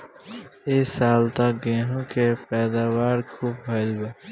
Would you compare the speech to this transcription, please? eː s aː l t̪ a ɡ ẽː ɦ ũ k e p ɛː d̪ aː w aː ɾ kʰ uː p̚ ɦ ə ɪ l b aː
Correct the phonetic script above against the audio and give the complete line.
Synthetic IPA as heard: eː s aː l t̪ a ɡ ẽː ɦ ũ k e p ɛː d̪ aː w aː ɾ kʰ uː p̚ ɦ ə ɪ l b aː